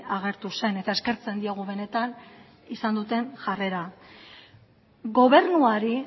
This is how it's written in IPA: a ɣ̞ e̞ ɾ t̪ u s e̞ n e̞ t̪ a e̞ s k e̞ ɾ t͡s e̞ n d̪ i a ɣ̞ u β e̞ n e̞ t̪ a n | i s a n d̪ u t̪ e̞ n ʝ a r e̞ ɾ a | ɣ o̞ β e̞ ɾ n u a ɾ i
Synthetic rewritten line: a ɣ̞ e̞ ɾ t̪ u s e̞ n e̞ t̪ a e̞ s k e̞ ɾ t͡s e̞ n d̪ i a ɣ̞ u β e̞ n e̞ t̪ a n | i s a n d̪ u t̪ e̞ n ʝ a r e̞ ɾ a | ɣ o̞ β e̞ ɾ n u a ɾ i